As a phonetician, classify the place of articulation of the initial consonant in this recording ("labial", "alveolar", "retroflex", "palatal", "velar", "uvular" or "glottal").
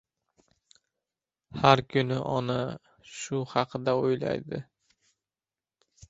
glottal